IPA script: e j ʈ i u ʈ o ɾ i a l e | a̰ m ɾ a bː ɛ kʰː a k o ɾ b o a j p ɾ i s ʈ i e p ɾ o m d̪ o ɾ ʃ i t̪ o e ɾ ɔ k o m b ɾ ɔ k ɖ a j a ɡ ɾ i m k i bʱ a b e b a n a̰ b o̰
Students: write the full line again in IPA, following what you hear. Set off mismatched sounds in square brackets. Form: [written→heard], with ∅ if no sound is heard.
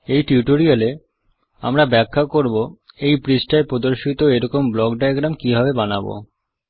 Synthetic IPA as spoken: e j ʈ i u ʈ o ɾ i a l e | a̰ m ɾ a [bː→b] ɛ kʰː a k o ɾ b o [a→e] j p ɾ i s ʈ [i→a] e p ɾ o [m→∅] d̪ o ɾ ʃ i t̪ o e ɾ ɔ k o m b [ɾ→l] ɔ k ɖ a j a ɡ ɾ [i→a] m k i bʱ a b e b a n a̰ b o̰